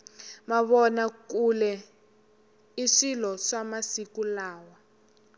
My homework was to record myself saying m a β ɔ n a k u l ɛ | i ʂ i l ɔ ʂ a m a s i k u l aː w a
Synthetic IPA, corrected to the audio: m a β ɔ n a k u l ɛ | i ʂ i l ɔ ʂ a m a s i k u l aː w a

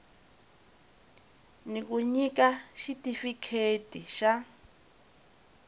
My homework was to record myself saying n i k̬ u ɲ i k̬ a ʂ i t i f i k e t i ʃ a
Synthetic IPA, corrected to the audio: n i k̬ u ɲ i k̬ a ʃ i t i f i kʰ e t i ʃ a

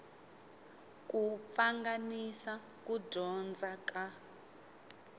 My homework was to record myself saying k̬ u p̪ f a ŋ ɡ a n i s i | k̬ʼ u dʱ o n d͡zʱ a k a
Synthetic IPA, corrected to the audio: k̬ u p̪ f a ŋ ɡ a n i s a | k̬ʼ u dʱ ɔ n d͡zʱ a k a

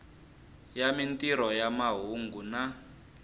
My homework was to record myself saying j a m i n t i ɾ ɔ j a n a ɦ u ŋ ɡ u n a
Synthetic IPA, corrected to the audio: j a m i n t i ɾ ɔ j a m a ɦ u ŋ ɡ u n a

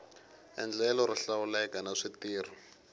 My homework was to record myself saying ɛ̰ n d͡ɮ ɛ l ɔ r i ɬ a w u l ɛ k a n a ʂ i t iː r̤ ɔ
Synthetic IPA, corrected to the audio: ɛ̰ n d͡ɮ ɛ l ɔ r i ɬ a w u l ɛ k a n a ʂ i t iː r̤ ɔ

